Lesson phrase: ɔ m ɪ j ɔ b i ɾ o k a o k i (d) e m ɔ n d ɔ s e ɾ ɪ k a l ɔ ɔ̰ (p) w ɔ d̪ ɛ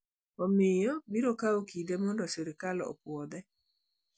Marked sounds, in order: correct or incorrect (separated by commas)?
correct, correct